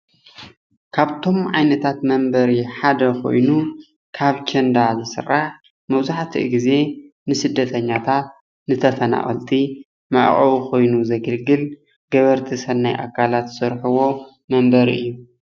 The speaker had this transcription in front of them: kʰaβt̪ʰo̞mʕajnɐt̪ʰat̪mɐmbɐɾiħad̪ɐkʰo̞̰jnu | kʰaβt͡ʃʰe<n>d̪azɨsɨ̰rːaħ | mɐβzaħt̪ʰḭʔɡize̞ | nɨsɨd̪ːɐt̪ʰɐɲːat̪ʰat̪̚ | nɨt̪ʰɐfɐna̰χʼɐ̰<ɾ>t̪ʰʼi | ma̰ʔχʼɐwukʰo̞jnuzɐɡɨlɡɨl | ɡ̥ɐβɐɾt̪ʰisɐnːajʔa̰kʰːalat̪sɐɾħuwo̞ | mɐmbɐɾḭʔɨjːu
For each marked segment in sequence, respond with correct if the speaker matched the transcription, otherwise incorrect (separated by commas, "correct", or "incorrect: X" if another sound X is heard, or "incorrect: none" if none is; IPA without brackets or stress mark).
correct, incorrect: l